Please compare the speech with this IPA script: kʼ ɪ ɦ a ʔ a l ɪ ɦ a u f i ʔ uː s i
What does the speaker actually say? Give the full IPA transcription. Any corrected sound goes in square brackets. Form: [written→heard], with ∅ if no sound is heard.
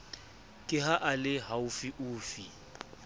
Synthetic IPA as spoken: kʼ ɪ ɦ a ʔ a l ɪ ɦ a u f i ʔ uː [s→f] i